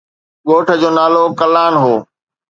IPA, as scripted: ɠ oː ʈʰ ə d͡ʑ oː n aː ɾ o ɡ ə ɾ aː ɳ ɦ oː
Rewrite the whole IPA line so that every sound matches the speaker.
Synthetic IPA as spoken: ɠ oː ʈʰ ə d͡ʑ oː n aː l o k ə l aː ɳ ɦ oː